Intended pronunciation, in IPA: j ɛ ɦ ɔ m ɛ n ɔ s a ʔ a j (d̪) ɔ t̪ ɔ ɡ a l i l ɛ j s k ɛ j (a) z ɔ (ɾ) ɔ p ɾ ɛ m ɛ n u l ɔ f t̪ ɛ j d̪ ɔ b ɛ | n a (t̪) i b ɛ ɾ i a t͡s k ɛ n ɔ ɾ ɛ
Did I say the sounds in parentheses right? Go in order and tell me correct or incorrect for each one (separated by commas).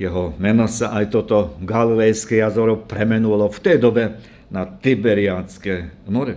incorrect, correct, correct, correct